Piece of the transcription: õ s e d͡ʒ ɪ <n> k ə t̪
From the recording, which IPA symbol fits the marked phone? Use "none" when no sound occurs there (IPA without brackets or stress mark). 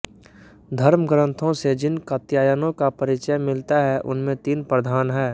n